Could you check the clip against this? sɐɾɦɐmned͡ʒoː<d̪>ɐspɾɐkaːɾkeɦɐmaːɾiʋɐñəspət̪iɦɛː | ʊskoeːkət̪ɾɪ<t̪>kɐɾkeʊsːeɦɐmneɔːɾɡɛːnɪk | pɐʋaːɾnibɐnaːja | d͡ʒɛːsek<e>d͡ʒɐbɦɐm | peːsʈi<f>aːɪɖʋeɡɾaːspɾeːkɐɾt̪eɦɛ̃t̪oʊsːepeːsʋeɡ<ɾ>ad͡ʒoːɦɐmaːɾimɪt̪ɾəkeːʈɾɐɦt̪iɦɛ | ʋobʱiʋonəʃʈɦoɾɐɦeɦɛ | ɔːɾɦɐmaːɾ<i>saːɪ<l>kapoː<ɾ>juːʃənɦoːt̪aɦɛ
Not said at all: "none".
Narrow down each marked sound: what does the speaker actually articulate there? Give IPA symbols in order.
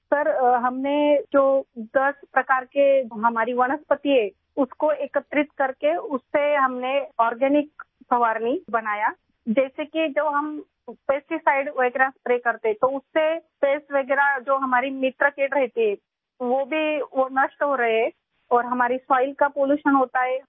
d̪, t̪, i, s, ɾ, i, l, l

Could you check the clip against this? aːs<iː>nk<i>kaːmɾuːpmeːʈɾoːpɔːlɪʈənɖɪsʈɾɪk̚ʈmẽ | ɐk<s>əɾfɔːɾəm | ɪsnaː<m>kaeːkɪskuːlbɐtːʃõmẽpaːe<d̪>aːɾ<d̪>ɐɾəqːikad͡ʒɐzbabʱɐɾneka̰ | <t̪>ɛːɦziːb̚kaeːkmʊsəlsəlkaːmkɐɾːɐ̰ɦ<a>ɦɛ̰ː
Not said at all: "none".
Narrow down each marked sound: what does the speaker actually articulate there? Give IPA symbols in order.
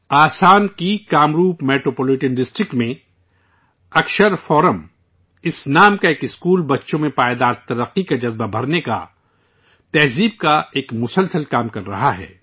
aː, i, ʃ, m, d̪, t̪, t̪, a

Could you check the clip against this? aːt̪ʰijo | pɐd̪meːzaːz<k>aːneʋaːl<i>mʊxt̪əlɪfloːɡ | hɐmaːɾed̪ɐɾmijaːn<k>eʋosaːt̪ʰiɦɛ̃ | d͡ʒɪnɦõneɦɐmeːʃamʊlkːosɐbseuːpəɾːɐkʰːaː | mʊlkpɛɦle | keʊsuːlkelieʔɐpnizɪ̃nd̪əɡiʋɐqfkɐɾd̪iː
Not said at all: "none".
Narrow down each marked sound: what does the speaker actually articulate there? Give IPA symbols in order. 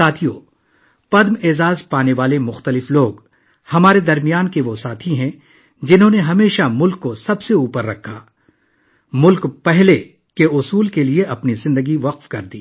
p, e, k

